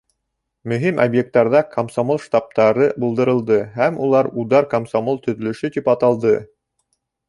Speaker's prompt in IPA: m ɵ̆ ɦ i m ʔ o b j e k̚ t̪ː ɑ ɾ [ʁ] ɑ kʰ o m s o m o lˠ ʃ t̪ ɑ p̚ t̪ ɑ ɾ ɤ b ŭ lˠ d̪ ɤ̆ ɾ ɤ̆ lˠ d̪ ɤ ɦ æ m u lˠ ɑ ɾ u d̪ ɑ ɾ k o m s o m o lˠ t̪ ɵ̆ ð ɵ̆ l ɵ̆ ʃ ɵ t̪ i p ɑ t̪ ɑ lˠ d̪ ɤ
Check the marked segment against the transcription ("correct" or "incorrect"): incorrect